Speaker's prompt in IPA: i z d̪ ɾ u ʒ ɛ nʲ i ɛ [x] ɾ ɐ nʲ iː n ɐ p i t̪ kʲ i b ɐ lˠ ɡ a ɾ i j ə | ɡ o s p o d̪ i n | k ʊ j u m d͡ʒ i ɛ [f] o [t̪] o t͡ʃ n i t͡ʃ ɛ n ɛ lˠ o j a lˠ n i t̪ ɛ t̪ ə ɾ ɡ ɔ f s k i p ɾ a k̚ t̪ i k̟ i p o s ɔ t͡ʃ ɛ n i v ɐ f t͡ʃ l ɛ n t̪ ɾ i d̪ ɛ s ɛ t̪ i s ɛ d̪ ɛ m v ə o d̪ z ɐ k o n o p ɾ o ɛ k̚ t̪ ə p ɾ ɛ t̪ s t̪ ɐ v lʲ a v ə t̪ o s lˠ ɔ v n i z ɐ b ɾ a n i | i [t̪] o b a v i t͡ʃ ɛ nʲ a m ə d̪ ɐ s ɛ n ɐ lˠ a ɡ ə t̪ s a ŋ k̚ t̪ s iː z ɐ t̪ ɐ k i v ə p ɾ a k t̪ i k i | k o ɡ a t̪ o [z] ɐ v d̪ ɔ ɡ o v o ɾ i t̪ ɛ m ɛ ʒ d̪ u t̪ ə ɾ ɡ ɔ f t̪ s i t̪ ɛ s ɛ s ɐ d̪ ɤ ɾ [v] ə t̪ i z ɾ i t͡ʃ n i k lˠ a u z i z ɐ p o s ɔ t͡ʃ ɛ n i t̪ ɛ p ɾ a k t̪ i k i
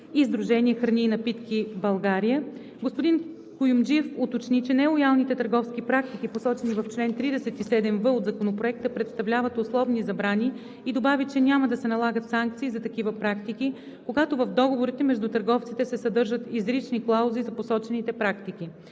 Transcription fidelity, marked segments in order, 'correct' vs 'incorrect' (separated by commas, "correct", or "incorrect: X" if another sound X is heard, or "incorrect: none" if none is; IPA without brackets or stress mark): correct, correct, correct, incorrect: d̪, incorrect: v, incorrect: ʒ